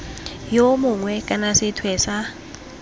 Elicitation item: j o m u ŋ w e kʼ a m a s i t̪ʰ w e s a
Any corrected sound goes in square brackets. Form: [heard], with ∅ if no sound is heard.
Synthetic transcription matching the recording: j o m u ŋ w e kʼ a [n] a s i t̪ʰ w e s a